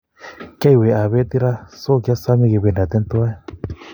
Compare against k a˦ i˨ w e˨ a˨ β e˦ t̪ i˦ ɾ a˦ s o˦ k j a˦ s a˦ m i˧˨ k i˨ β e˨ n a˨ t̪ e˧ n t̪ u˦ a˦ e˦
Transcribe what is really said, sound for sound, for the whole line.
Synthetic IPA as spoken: k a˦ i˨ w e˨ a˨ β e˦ t̪ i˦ ɾ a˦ s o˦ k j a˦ s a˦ m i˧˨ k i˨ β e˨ n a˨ t̪ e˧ n t̪ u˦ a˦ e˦

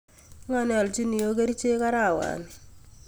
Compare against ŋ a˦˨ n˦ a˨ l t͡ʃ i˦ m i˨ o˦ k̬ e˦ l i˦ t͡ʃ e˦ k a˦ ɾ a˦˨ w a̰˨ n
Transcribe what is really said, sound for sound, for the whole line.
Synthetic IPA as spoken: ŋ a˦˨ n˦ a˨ l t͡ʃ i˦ n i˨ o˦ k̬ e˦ ɾ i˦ t͡ʃ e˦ k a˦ ɾ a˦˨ w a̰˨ n

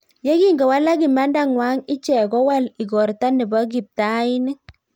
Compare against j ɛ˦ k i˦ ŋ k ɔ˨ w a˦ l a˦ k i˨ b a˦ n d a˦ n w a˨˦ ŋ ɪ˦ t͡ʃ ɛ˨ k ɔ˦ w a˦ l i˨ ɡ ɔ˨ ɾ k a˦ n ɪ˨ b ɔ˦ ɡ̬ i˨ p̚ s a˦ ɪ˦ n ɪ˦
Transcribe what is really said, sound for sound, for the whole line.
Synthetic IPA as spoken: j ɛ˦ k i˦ ŋ ɡ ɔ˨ w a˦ l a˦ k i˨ m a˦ n d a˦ ŋ w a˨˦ ŋ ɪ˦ t͡ʃ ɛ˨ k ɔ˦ w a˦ l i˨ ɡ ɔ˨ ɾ t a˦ n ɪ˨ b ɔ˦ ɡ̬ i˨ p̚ t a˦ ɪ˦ n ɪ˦

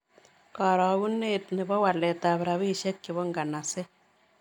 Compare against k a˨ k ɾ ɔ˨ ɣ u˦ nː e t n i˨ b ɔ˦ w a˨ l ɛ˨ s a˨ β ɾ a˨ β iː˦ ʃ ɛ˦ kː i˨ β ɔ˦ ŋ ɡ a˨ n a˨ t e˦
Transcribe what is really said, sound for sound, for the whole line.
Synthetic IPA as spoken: k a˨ ɾ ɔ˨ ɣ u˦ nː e t n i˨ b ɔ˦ w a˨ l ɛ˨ t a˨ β ɾ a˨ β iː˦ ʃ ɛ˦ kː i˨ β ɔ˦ ŋ ɡ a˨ n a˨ s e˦

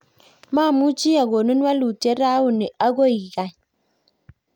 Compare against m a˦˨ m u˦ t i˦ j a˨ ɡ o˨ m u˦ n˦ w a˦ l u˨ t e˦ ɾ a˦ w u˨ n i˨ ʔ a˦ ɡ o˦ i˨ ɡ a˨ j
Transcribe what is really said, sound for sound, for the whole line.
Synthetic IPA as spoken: m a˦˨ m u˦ t͡ʃ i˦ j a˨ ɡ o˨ n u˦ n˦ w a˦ l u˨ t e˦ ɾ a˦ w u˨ n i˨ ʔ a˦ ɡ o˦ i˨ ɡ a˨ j

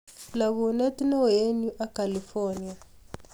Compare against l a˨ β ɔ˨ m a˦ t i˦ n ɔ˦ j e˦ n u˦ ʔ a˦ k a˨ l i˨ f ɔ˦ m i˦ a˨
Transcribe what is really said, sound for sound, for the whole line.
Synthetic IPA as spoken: l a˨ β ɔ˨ n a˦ t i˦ n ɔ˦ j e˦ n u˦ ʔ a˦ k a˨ l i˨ f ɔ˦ n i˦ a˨

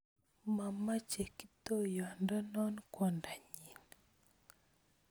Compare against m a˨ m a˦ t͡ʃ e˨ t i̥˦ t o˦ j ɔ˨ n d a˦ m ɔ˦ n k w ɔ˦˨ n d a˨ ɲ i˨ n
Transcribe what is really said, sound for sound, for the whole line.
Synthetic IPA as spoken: m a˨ m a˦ t͡ʃ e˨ k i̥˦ t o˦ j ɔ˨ n d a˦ n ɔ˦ n k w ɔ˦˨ n d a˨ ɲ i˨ n

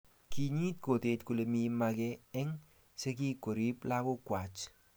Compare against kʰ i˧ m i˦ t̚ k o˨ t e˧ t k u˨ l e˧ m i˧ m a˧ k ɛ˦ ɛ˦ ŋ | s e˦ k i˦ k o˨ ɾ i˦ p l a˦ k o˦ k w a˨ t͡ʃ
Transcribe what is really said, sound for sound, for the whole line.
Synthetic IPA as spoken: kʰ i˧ ɲ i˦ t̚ k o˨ t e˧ t k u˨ l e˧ m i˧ m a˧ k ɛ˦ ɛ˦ ŋ | s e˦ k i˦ k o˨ ɾ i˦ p l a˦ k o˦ k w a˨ t͡ʃ

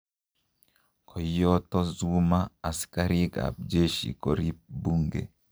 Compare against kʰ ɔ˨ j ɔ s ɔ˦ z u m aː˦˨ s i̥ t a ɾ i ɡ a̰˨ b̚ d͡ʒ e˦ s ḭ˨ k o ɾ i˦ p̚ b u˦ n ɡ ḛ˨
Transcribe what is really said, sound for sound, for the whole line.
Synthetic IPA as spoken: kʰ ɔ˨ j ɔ t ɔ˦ z u m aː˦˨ s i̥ k a ɾ i ɡ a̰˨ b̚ d͡ʒ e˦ ʃ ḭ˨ k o ɾ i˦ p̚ b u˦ ŋ ɡ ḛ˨

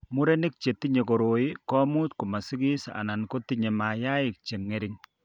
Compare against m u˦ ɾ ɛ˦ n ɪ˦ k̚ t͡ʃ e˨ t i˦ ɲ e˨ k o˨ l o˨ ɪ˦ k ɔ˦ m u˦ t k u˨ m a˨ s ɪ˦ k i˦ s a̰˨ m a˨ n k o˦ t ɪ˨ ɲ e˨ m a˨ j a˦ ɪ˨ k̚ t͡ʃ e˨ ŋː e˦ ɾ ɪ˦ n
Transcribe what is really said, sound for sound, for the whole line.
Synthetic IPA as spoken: m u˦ ɾ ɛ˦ n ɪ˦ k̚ t͡ʃ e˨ t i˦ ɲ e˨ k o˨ ɾ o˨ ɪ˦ k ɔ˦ m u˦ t k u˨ m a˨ s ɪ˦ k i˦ s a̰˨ n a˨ n k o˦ t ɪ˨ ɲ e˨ m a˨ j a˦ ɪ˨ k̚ t͡ʃ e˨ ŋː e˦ ɾ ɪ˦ ŋ

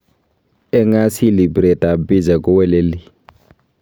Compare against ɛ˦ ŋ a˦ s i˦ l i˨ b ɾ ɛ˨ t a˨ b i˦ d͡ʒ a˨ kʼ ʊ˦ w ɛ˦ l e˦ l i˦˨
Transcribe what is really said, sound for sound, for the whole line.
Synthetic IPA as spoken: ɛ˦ ŋ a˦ s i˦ l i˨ b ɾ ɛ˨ t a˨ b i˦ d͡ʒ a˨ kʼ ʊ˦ w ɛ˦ l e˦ l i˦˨

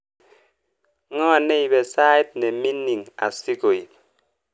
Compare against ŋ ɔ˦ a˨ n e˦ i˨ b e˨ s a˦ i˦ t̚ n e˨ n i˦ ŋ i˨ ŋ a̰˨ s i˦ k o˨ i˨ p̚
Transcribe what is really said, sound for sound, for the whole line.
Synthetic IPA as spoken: ŋ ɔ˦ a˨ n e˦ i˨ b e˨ s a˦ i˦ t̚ n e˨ m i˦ n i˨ ŋ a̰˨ s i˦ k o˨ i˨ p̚

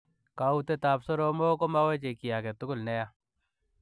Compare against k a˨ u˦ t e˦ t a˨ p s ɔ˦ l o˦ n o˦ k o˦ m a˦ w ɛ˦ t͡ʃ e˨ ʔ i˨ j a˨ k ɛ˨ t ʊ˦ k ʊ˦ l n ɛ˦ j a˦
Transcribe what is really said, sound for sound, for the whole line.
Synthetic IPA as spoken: k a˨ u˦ t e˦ t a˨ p s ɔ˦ ɾ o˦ m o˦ k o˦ m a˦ w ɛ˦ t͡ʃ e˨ k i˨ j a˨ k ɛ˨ t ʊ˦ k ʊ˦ l n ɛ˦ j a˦

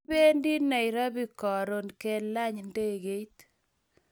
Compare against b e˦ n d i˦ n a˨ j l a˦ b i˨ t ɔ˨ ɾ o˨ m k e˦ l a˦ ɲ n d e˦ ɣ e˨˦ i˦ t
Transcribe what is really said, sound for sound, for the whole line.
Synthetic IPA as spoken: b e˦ n d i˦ n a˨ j ɾ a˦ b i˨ k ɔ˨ ɾ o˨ n k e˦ l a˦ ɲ n d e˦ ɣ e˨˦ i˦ t

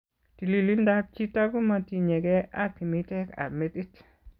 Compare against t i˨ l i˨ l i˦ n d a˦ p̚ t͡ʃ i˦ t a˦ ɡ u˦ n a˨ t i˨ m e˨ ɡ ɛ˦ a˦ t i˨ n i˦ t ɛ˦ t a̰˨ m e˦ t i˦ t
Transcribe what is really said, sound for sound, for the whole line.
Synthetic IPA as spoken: t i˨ l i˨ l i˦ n d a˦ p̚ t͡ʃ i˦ t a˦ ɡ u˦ m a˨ t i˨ ɲ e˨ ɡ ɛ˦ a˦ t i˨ m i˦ t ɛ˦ k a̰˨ m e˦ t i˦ t

